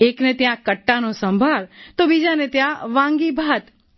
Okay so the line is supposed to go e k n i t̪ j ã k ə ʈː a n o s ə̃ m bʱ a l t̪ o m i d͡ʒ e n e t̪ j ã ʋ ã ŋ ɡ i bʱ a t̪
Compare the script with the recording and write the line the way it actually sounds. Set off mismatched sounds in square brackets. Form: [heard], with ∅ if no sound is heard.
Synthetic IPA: e k n [e] t̪ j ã k ə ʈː a n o s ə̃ m bʱ a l t̪ o [b] i d͡ʒ [a] n e t̪ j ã ʋ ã ŋ ɡ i bʱ a t̪